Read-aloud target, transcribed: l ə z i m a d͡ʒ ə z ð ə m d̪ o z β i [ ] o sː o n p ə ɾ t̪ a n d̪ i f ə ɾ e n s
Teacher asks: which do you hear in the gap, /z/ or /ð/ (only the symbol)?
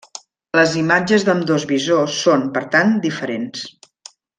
z